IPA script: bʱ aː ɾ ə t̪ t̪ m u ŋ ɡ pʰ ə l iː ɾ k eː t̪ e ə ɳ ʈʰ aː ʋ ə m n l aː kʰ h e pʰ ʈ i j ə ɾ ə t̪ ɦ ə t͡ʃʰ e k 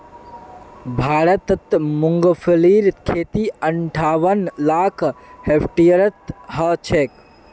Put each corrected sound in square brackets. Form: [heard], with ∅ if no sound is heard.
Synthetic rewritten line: bʱ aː ɾ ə t̪ t̪ m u ŋ ɡ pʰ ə l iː ɾ [kʰ] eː t̪ [i] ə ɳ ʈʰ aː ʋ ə [∅] n l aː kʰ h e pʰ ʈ i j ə ɾ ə t̪ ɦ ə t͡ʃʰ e k